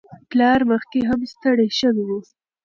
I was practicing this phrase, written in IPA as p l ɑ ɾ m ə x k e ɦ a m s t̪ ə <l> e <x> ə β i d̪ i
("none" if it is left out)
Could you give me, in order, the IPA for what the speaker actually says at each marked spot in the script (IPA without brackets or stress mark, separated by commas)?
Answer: ɽ, ʃ